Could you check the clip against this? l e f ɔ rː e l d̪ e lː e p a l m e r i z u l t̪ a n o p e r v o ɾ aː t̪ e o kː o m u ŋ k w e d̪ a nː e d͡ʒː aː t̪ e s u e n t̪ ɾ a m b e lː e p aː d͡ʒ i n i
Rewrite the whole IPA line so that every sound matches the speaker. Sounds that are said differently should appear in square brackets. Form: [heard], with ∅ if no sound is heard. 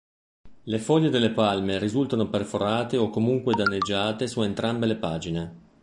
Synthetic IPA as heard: l e f ɔ [ʎː] e [∅] d̪ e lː e p a l m e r i z u l t̪ a n o p e r [f] o ɾ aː t̪ e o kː o m u ŋ k w e d̪ a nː e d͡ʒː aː t̪ e s u e n t̪ ɾ a m b e [l] e p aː d͡ʒ i n [e]